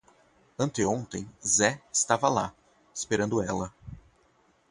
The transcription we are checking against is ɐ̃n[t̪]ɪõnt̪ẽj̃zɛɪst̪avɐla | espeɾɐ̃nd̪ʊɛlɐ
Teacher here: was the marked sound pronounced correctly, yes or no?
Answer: yes